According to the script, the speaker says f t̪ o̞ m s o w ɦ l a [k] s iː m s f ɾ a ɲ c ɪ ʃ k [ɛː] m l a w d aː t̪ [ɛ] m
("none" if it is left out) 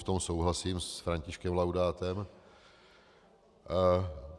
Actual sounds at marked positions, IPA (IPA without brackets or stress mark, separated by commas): none, ɛ, ɛ